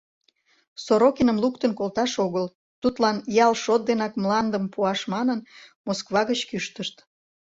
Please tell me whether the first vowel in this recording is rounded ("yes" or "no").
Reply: yes